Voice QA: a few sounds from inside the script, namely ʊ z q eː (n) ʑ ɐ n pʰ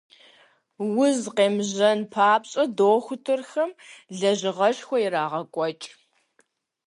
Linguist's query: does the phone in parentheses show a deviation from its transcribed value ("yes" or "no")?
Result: yes